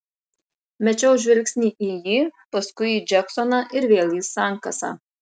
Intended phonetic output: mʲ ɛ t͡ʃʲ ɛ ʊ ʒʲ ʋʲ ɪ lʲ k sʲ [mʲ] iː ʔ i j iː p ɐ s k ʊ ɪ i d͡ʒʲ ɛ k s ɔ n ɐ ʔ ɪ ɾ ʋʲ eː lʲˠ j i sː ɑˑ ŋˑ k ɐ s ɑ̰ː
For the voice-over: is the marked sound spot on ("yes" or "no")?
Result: no